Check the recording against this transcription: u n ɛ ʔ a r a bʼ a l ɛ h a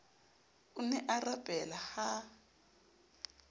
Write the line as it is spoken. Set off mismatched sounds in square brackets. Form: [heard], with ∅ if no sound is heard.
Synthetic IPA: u n ɛ ʔ a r a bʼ [ɛ] l [a] h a